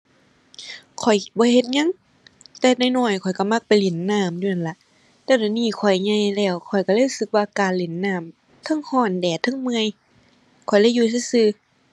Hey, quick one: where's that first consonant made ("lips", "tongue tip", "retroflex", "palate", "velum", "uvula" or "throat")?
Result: velum